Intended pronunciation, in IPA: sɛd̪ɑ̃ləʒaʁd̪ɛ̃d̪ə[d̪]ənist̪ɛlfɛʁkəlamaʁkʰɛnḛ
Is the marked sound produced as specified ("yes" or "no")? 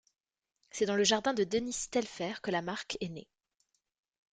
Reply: yes